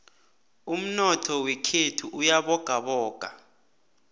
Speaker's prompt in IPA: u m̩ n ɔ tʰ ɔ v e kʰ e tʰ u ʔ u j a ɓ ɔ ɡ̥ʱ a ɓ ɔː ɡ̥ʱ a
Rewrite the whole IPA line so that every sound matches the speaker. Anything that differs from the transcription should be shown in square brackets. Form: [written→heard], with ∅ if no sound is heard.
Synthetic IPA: u m̩ n ɔ tʰ ɔ [v→w] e kʰ e tʰ u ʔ u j a ɓ ɔ ɡ̥ʱ a ɓ ɔː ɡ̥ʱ a